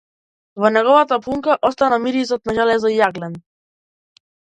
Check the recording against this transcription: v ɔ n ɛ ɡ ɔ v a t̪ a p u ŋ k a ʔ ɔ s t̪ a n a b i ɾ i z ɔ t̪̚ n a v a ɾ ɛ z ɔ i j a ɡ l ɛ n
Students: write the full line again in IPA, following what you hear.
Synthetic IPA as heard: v ɔ n ɛ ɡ ɔ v a t̪ a p u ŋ k a ʔ ɔ s t̪ a n a m i ɾ i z ɔ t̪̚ n a ʒ a l ɛ z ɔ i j a ɡ l ɛ n